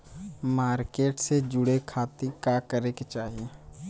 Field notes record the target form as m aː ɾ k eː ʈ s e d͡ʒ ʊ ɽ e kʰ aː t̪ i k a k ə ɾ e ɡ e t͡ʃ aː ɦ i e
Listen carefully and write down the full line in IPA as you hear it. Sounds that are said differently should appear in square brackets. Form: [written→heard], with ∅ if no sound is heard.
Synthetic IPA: m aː ɾ k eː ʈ s e d͡ʒ ʊ ɽ e kʰ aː t̪ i k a k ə ɾ e [ɡ→k] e t͡ʃ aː ɦ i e